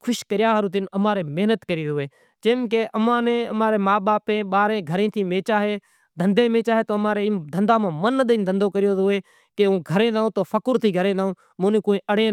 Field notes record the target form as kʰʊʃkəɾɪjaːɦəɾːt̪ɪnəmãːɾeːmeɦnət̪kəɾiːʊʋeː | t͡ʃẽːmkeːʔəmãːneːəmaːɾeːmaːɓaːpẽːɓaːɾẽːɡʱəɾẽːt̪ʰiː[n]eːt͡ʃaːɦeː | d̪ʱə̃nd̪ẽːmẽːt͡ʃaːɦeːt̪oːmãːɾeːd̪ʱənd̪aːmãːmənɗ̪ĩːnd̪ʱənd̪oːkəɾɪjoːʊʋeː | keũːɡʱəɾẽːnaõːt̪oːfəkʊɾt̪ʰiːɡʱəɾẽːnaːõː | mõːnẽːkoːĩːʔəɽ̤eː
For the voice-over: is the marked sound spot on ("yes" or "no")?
no